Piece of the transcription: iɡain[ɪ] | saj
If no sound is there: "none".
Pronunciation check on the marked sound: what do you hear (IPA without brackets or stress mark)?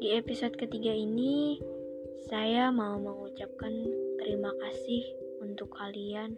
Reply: i